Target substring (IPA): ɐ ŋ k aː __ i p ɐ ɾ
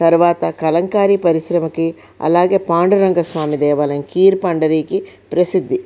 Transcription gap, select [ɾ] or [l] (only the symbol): ɾ